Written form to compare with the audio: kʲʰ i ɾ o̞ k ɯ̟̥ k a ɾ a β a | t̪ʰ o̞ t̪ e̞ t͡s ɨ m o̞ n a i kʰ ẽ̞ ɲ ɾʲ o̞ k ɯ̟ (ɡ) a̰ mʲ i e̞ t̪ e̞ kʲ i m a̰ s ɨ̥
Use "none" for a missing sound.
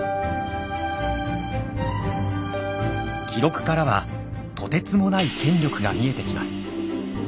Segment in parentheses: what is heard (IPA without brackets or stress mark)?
ɡ